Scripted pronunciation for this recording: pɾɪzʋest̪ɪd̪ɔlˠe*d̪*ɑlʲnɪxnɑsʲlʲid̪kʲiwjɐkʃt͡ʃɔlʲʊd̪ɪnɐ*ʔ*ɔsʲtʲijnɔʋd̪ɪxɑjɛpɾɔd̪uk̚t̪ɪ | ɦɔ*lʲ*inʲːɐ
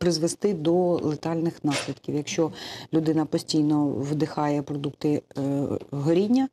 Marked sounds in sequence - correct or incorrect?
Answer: incorrect, incorrect, incorrect

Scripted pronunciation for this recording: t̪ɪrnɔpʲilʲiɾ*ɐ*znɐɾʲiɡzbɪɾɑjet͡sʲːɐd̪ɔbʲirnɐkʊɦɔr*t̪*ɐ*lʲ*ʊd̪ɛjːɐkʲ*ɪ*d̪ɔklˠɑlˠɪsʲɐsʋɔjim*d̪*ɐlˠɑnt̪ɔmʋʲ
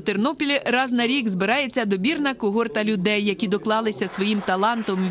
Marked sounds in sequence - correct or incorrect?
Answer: incorrect, correct, correct, incorrect, incorrect

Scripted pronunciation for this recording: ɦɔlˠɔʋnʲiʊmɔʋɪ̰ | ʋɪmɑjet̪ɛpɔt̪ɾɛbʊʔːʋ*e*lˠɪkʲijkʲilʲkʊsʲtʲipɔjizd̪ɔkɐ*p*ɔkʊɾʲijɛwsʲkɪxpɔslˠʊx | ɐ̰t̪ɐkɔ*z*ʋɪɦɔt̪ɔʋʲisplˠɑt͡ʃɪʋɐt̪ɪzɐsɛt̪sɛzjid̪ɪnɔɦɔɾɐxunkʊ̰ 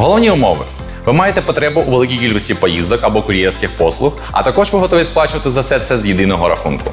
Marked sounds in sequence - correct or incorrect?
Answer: correct, incorrect, incorrect

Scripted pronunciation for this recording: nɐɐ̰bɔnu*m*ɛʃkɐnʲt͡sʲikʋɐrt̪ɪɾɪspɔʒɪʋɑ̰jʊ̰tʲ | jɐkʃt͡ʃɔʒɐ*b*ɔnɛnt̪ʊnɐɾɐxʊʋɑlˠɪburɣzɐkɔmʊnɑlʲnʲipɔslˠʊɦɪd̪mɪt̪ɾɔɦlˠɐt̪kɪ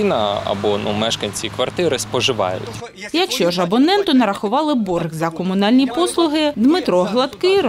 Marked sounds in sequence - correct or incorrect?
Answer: correct, correct

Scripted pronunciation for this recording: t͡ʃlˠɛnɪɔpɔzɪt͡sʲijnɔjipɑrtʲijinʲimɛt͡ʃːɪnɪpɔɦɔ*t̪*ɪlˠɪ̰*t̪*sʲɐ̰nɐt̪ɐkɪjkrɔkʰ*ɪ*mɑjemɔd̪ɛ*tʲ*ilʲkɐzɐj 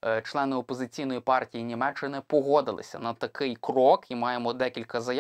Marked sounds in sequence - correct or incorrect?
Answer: incorrect, incorrect, incorrect, incorrect

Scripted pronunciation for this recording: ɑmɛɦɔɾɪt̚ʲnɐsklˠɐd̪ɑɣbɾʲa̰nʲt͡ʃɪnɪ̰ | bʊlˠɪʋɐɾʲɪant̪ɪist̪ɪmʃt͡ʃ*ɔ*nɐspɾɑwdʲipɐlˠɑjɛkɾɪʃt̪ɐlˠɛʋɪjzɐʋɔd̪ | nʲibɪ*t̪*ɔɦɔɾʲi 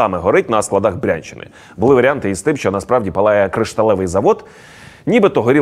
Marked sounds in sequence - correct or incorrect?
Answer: correct, correct

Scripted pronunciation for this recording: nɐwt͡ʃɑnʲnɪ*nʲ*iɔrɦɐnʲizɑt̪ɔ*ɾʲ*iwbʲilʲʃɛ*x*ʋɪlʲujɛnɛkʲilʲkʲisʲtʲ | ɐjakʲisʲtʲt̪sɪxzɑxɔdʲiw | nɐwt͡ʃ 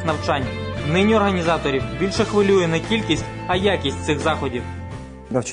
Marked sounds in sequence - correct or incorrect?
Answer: correct, correct, correct

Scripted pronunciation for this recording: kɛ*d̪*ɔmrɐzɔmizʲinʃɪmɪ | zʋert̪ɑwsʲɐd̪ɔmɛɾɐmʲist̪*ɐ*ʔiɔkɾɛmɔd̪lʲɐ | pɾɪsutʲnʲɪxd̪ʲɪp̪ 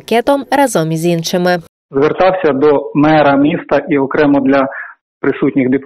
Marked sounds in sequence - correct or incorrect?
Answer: incorrect, correct

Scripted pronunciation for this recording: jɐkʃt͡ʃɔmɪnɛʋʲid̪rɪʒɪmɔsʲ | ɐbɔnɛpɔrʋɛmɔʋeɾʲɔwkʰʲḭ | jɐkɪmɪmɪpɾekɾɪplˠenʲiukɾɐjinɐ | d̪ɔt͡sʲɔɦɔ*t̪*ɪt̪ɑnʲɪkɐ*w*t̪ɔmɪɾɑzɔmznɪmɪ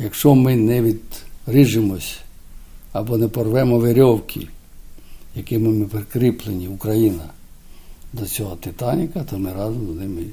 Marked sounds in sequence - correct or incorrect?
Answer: correct, incorrect

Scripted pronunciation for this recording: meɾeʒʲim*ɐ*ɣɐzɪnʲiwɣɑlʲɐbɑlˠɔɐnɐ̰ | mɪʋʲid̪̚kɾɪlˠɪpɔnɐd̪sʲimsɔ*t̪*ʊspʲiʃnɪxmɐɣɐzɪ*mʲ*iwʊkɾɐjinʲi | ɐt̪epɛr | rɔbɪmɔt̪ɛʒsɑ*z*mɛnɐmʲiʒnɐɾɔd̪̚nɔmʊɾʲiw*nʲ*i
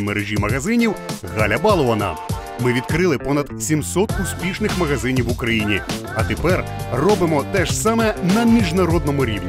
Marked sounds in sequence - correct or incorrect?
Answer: correct, correct, incorrect, incorrect, correct

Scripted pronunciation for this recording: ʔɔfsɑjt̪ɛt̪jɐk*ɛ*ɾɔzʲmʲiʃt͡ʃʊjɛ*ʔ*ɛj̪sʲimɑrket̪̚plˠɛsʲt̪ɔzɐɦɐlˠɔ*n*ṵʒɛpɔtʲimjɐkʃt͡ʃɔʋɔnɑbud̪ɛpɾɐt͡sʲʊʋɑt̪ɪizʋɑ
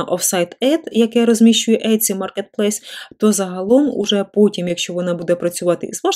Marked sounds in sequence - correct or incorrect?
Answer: correct, correct, incorrect

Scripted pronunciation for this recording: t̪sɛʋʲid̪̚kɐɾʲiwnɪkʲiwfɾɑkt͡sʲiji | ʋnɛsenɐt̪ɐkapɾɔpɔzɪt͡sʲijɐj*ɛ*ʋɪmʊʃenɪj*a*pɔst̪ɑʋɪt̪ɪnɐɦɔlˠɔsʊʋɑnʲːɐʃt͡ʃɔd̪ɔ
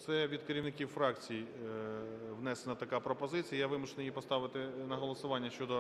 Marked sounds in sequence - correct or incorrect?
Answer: incorrect, incorrect

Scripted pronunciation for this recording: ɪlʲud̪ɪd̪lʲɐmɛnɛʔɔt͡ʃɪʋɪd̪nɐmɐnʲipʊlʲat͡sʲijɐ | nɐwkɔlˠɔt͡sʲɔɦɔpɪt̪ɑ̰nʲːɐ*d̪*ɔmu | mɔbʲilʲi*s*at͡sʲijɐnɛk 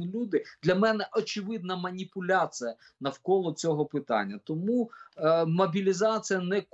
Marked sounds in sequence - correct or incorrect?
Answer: incorrect, incorrect

